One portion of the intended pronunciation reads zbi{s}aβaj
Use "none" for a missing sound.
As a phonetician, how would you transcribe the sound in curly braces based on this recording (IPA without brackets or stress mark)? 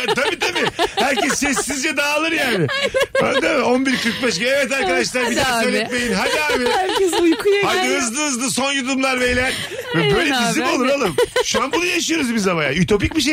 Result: z